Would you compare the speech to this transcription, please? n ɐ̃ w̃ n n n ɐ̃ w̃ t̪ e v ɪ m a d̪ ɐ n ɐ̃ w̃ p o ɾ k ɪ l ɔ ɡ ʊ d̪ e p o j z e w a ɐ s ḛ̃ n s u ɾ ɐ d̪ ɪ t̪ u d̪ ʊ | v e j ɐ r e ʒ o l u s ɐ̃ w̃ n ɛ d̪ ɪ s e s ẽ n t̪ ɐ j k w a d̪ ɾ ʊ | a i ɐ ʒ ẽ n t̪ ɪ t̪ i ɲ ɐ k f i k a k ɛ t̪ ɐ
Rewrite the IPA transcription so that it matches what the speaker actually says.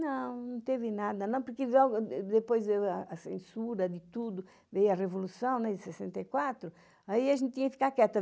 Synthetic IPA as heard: n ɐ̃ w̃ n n n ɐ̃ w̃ t̪ e v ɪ n a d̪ ɐ n ɐ̃ w̃ p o ɾ k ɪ l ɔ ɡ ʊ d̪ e p o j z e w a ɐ s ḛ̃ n s u ɾ ɐ d̪ ɪ t̪ u d̪ ʊ | v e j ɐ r e v o l u s ɐ̃ w̃ n ɛ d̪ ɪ s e s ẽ n t̪ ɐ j k w a t̪ ɾ ʊ | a i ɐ ʒ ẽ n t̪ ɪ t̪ i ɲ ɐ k f i k a k ɛ t̪ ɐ